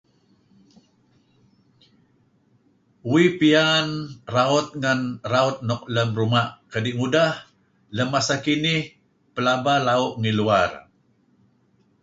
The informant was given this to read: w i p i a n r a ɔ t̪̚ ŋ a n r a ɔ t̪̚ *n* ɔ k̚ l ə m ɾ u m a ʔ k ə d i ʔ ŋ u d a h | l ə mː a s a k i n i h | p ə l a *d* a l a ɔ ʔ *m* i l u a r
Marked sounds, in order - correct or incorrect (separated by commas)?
correct, incorrect, incorrect